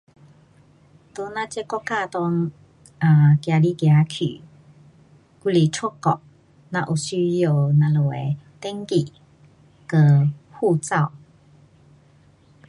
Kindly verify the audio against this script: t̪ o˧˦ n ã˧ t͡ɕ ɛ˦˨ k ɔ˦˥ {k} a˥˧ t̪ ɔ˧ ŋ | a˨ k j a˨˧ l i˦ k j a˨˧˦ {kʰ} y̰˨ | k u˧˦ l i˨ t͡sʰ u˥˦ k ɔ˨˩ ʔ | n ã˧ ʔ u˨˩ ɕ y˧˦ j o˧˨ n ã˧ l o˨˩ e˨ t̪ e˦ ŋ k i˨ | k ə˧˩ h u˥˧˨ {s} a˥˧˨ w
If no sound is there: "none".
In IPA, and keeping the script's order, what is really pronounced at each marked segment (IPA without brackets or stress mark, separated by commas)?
k, kʰ, t͡s